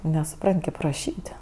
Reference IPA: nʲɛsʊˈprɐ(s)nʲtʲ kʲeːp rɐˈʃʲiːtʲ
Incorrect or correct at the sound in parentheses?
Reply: incorrect: none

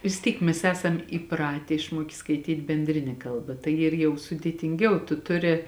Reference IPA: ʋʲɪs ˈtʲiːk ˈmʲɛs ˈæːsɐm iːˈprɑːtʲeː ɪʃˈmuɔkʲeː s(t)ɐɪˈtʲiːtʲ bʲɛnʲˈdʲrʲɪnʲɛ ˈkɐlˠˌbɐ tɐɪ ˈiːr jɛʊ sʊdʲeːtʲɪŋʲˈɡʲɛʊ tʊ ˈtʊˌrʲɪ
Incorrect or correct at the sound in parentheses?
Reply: incorrect: k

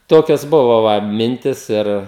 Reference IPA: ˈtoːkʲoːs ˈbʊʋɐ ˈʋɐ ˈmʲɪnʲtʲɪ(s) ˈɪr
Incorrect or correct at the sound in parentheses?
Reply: correct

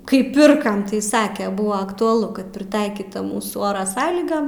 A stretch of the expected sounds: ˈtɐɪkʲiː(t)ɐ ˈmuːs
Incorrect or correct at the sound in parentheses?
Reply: correct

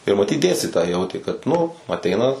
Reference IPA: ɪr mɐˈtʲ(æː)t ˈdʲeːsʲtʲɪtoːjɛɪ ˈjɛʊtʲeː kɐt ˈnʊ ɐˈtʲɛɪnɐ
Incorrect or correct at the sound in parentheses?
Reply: incorrect: iː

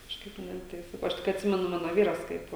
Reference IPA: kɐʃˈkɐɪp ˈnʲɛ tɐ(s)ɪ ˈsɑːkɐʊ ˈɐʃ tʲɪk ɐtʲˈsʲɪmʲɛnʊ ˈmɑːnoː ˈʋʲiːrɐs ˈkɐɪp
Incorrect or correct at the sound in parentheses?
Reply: incorrect: none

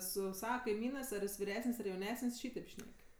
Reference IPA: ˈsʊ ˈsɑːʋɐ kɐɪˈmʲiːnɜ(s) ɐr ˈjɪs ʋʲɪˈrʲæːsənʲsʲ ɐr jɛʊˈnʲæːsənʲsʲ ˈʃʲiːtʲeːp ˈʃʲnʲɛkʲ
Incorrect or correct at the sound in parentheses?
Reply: correct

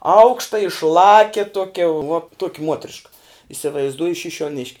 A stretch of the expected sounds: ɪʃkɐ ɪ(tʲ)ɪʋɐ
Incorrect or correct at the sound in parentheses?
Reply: incorrect: sʲ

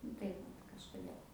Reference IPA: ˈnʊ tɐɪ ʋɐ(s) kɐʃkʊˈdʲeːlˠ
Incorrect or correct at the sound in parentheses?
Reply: incorrect: t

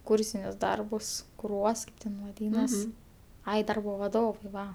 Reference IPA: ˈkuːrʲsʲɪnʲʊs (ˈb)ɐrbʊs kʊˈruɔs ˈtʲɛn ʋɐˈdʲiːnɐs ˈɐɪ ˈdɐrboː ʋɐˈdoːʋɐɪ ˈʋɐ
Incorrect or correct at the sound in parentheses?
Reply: incorrect: d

